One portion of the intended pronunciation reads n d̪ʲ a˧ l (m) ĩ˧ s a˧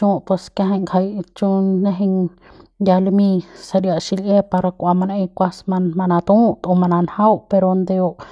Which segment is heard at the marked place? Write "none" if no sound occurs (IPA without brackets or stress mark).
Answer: m